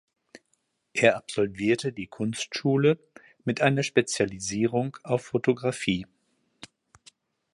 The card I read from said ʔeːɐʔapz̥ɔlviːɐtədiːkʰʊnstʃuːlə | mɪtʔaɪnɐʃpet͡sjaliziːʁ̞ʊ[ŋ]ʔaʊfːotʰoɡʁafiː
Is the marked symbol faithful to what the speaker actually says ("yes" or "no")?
yes